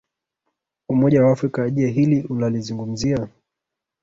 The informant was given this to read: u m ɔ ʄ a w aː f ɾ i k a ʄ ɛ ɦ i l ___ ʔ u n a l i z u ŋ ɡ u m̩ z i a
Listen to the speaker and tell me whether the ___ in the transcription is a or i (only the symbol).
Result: i